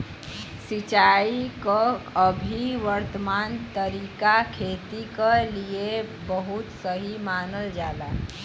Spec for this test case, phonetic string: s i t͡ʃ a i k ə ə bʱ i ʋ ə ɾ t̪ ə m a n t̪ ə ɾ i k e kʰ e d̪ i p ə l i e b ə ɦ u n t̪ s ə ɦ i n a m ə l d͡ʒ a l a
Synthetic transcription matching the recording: s i t͡ʃ a i k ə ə bʱ i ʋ ə ɾ t̪ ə m a n t̪ ə ɾ i k a kʰ e t̪ i k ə l i e b ə ɦ u t̪ s ə ɦ i m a n ə l d͡ʒ a l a